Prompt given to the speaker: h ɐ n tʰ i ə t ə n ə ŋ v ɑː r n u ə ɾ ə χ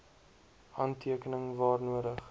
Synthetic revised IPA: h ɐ n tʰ i ə k ə n ə ŋ v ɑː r n u ə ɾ ə χ